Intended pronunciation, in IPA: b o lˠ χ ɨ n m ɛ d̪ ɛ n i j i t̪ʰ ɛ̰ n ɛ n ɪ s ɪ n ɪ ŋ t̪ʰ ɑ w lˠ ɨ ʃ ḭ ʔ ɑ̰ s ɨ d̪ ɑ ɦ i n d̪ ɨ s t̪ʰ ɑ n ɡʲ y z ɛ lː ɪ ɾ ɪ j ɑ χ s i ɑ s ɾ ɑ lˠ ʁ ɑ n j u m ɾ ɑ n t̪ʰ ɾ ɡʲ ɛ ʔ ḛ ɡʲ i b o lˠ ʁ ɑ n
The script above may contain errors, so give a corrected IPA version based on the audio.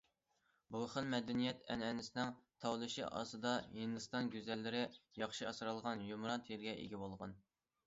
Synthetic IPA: b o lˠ χ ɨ n m ɛ d̪ ɛ n i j ɛ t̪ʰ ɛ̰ n ɛ n ɪ s ɪ n ɪ ŋ t̪ʰ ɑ w lˠ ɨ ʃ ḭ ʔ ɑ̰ s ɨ d̪ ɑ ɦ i n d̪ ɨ s t̪ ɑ n ɡʲ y z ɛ lː ɪ ɾ ɪ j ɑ χ ʃ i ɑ s ɾ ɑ lˠ ʁ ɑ n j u m ɾ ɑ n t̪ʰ ɾ ɡʲ ɛ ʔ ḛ ɡʲ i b o lˠ ʁ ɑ n